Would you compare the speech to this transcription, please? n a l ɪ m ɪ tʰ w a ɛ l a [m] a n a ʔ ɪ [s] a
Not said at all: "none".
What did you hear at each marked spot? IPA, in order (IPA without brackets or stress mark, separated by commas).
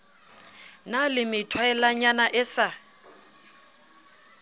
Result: ɲ, s